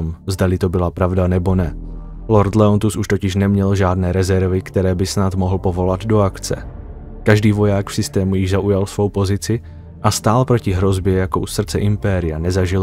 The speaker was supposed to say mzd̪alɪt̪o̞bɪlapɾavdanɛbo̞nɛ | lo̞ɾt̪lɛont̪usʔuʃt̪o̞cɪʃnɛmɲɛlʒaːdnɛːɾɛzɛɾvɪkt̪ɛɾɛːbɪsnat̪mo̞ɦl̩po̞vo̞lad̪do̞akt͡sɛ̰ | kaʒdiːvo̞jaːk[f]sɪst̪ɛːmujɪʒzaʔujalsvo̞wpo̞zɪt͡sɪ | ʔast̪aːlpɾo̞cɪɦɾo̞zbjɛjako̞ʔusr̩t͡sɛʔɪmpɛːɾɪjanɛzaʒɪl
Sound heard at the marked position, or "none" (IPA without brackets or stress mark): f